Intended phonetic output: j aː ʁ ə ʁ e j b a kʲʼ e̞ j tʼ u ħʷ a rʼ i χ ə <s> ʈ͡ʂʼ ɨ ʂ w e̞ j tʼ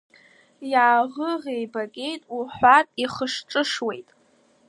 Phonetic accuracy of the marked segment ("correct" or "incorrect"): incorrect